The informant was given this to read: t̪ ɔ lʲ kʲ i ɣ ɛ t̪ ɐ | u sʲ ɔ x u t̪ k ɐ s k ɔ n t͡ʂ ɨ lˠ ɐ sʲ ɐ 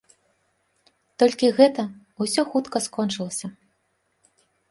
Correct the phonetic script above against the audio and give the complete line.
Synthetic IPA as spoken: t̪ ɔ lʲ kʲ i ɣ ɛ t̪ ɐ | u sʲ ɔ x u t̪ k ɐ s k ɔ n t͡ʂ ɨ lˠ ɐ sʲ ɐ

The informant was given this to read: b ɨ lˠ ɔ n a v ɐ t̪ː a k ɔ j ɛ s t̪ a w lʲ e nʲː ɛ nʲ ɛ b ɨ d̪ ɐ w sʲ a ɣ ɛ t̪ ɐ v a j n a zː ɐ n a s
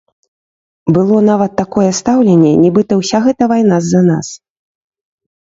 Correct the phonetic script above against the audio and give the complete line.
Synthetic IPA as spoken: b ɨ lˠ ɔ n a v ɐ t̪ː a k ɔ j ɛ s t̪ a w lʲ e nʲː ɛ nʲ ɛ b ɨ t̪ ɐ w sʲ a ɣ ɛ t̪ ɐ v a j n a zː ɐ n a s

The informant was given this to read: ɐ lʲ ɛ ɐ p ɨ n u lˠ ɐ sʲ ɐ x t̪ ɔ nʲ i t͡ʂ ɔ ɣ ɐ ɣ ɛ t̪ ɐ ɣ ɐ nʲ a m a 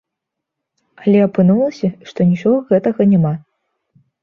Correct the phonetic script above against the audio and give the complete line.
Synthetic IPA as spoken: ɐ lʲ ɛ ɐ p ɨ n u lˠ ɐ sʲ ɐ ʂ t̪ ɔ nʲ i t͡ʂ ɔ ɣ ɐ ɣ ɛ t̪ ɐ ɣ ɐ nʲ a m a

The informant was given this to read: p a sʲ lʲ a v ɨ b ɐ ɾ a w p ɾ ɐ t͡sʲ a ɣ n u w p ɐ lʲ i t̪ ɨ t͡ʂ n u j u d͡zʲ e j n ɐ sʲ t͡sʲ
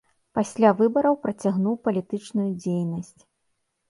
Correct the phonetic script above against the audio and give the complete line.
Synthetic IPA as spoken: p a sʲ lʲ a v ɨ b ɐ ɾ ɐ w p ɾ ɐ t͡sʲ a ɣ n u w p ɐ lʲ i t̪ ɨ t͡ʂ n u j u d͡zʲ e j n ɐ sʲ t͡sʲ

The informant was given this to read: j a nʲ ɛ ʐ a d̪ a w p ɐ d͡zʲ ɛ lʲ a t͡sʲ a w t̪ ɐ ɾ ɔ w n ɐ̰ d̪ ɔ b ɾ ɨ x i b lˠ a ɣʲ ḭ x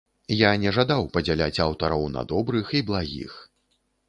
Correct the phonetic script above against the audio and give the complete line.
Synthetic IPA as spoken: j a nʲ ɛ ʐ a d̪ a w p ɐ d͡zʲ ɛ lʲ a t͡sʲ a w t̪ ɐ ɾ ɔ w n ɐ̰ d̪ ɔ b ɾ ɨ x i b lˠ a ɣʲ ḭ x

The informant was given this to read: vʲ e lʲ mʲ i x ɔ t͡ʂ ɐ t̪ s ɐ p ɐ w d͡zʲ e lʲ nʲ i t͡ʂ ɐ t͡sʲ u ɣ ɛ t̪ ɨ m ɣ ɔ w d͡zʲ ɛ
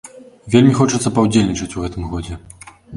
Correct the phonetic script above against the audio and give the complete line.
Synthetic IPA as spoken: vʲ e lʲ mʲ i x ɔ t͡ʂ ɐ t̪ s ɐ p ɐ w d͡zʲ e lʲ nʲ i t͡ʂ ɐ t͡sʲ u ɣ ɛ t̪ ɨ m ɣ ɔ d͡zʲ ɛ

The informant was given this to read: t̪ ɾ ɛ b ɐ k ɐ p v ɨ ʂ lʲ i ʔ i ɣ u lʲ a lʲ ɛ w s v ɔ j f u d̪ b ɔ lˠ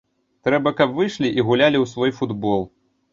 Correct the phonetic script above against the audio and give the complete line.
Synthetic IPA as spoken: t̪ ɾ ɛ b ɐ k ɐ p v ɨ ʂ lʲ i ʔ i ɣ u lʲ a lʲ i w s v ɔ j f u d̪ b ɔ lˠ

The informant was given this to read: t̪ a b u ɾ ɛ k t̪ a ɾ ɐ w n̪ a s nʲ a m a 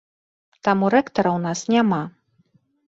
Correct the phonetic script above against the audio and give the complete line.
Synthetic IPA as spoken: t̪ a m u ɾ ɛ k t̪ ɐ ɾ ɐ w n̪ a s nʲ a m a

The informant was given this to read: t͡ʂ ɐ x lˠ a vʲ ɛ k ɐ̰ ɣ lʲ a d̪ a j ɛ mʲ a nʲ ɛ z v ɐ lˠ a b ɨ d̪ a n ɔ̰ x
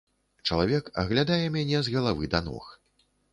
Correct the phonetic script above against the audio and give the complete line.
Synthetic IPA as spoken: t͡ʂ ɐ lˠ a vʲ ɛ k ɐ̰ ɣ lʲ a d̪ a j ɛ mʲ a nʲ ɛ z ɣ ɐ lˠ a v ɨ d̪ a n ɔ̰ x

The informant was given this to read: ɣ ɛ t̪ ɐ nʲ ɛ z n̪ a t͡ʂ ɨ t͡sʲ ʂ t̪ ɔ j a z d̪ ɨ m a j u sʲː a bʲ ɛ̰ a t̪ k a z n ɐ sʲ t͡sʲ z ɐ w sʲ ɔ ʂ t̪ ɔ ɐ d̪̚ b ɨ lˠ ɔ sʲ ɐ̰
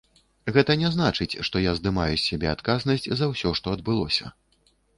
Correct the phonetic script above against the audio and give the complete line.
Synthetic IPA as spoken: ɣ ɛ t̪ ɐ nʲ ɛ z n̪ a t͡ʂ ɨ t͡sʲ ʂ t̪ ɔ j a z d̪ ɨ m a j u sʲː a bʲ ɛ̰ a t̪ k a z n ɐ sʲ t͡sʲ z ɐ w sʲ ɔ ʂ t̪ ɔ ɐ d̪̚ b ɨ lˠ ɔ sʲ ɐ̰

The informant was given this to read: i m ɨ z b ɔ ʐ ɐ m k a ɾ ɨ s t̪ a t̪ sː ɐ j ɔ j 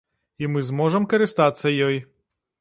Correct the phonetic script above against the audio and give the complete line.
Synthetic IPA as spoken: i m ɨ z m ɔ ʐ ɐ m k ɐ ɾ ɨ s t̪ a t̪ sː ɐ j ɔ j

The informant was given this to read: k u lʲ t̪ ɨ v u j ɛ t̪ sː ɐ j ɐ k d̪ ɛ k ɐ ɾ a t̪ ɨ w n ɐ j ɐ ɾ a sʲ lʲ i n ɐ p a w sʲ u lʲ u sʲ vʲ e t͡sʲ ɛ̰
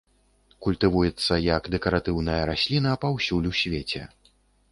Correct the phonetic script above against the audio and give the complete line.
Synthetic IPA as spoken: k u lʲ t̪ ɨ v u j ɛ t̪ sː ɐ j ɐ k d̪ ɛ k ɐ ɾ a t̪ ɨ w n ɐ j ɐ ɾ a sʲ lʲ i n ɐ p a w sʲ u lʲ u sʲ vʲ e t͡sʲ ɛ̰

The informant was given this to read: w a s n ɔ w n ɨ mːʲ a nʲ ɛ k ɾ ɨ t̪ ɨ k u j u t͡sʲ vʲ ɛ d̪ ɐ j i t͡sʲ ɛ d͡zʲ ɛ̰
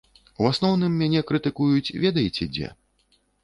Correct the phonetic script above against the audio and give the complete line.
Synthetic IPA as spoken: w a s n ɔ w n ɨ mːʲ a nʲ ɛ k ɾ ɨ t̪ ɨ k u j u t͡sʲ vʲ ɛ d̪ ɐ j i t͡sʲ ɛ d͡zʲ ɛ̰

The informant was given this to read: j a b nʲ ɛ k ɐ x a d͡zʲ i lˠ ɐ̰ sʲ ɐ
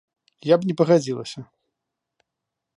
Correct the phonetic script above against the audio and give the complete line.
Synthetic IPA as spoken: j a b nʲ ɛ p ɐ ɣ a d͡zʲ i lˠ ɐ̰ sʲ ɐ

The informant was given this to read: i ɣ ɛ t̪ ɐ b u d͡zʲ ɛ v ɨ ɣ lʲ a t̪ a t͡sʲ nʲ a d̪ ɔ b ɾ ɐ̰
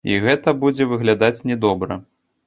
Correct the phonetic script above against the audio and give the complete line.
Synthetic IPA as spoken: i ɣ ɛ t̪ ɐ b u d͡zʲ ɛ v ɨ ɣ lʲ a d̪ a t͡sʲ nʲ ɛ d̪ ɔ b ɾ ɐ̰

